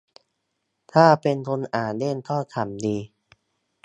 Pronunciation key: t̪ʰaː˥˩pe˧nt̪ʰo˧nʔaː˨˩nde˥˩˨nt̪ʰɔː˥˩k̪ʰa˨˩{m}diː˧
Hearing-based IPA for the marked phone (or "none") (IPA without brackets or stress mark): m